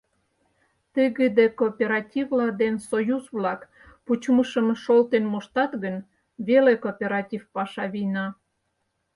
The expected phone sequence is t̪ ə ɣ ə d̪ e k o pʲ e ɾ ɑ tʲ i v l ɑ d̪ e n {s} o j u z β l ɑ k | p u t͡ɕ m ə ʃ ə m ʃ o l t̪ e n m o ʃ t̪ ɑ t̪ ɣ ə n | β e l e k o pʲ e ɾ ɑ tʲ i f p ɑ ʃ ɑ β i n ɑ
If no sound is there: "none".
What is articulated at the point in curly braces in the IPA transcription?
s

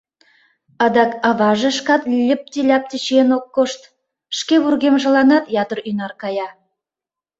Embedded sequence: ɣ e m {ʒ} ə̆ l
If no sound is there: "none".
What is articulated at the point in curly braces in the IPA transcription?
ʒ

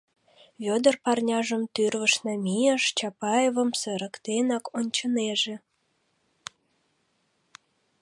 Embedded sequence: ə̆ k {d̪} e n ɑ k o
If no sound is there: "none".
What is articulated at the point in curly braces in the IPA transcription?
t̪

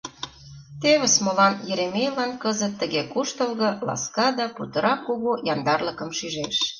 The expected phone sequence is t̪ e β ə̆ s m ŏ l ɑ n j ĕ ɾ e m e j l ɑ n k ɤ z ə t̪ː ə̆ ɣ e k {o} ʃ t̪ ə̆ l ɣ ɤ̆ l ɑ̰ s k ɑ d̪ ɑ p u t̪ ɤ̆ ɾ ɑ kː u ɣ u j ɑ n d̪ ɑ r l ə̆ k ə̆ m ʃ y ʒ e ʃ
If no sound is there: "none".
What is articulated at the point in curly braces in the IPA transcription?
u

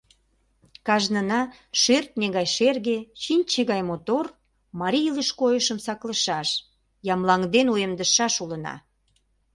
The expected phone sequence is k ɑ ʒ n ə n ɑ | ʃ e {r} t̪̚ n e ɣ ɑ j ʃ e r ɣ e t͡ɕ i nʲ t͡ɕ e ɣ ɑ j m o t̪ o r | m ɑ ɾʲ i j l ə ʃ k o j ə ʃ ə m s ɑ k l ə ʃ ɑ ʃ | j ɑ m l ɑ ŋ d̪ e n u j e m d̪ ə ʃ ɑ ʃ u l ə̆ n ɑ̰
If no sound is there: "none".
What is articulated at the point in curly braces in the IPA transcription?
r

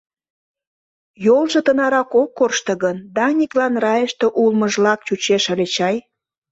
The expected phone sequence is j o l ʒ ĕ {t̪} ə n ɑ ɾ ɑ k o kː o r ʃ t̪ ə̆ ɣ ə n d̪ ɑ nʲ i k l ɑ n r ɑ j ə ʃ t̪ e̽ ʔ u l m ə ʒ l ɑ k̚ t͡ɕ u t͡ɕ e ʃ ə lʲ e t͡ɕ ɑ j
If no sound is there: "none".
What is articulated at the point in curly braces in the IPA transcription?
t̪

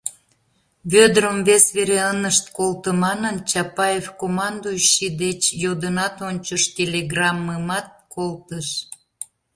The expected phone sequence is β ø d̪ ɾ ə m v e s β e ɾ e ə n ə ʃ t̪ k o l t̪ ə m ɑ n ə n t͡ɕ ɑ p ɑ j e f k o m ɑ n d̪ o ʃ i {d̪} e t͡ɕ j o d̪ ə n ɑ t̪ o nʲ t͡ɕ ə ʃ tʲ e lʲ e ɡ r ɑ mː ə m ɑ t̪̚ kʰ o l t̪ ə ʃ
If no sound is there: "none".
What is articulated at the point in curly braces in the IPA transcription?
d̪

